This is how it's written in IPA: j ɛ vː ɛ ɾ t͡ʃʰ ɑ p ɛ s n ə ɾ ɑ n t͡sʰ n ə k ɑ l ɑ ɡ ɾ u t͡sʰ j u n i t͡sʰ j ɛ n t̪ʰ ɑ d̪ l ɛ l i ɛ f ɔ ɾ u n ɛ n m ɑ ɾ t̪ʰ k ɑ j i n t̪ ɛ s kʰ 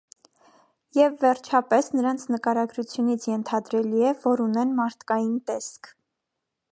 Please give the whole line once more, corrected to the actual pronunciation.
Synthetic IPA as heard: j ɛ vː ɛ ɾ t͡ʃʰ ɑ p ɛ s n ə ɾ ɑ n t͡sʰ n ə k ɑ ɾ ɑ ɡ ɾ u t͡sʰ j u n i t͡sʰ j ɛ n t̪ʰ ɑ d̪ ɾ ɛ l i ɛ v ɔ ɾ u n ɛ n m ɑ ɾ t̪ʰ k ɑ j i n t̪ ɛ s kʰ